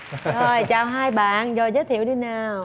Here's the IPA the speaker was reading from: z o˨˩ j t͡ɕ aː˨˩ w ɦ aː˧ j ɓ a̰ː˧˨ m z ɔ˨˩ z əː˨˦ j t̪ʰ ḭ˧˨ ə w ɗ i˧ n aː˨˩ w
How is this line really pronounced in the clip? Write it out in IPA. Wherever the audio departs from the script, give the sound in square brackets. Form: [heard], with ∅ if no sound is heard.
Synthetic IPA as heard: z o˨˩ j t͡ɕ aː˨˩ w ɦ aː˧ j ɓ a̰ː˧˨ [n] z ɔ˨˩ z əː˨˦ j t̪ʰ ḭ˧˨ ə w ɗ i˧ n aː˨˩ w